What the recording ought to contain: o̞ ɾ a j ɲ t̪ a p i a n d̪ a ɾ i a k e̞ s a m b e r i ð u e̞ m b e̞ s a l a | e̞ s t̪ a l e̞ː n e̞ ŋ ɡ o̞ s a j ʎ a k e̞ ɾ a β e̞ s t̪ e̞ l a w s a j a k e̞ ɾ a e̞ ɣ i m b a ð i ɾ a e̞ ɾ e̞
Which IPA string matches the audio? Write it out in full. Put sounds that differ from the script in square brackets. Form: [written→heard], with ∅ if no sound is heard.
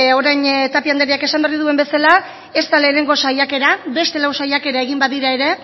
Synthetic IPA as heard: o̞ ɾ a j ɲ t̪ a p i a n d̪ [a→e] ɾ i a k e̞ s a m b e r i ð u e̞ m b e̞ s a l a | e̞ s t̪ a l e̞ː n e̞ ŋ ɡ o̞ s a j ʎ a k e̞ ɾ a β e̞ s t̪ e̞ l a w s a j a k e̞ ɾ a e̞ ɣ i m b a ð i ɾ a e̞ ɾ e̞